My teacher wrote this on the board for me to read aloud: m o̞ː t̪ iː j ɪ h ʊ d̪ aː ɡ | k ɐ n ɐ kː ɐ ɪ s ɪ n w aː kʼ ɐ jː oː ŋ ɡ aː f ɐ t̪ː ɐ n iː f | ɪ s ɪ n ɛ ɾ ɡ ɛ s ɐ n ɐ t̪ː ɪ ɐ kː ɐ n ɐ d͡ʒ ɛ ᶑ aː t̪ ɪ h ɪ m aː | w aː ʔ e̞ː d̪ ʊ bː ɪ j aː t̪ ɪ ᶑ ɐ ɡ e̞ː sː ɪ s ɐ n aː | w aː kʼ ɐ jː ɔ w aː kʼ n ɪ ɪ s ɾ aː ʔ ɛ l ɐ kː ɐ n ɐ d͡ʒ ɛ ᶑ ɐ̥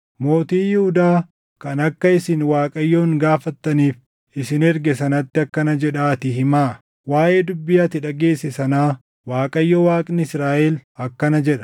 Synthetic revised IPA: m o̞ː t̪ iː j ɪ h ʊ d̪ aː | k ɐ n ɐ kː ɐ ɪ s ɪ n w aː kʼ ɐ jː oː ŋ ɡ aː f ɐ t̪ː ɐ n iː f | ɪ s ɪ n ɛ ɾ ɡ ɛ s ɐ n ɐ t̪ː ɪ ɐ kː ɐ n ɐ d͡ʒ ɛ ᶑ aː t̪ ɪ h ɪ m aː | w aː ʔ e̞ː d̪ ʊ bː ɪ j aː t̪ ɪ ᶑ ɐ ɡ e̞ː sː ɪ s ɐ n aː | w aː kʼ ɐ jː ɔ w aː kʼ n ɪ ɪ s ɾ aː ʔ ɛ l ɐ kː ɐ n ɐ d͡ʒ ɛ ᶑ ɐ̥